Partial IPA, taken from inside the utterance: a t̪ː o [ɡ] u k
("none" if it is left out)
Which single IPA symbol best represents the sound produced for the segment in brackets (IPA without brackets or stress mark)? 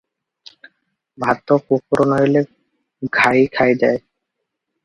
k